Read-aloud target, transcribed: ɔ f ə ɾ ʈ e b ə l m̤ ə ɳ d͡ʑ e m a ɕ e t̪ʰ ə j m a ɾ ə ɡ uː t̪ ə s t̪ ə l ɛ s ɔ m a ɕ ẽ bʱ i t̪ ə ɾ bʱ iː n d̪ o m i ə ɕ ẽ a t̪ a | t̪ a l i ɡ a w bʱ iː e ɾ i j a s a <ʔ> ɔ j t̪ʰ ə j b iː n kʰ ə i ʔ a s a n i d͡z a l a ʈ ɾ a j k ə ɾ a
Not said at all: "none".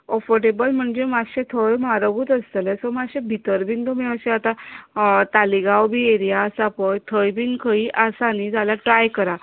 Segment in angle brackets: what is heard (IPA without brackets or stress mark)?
p